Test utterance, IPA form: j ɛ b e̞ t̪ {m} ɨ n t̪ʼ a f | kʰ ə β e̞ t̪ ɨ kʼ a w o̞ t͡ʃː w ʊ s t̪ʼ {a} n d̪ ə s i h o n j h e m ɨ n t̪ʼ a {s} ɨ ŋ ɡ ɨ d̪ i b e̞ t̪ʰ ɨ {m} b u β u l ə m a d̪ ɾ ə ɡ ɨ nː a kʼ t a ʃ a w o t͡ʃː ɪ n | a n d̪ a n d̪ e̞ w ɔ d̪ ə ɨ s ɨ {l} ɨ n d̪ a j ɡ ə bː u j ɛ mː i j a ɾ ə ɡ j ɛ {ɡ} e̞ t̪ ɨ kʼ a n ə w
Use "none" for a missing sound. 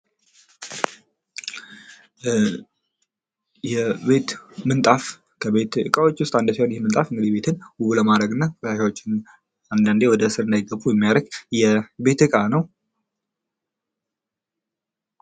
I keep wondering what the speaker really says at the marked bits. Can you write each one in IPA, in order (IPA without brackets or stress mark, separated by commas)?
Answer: m, a, f, n, ɾ, b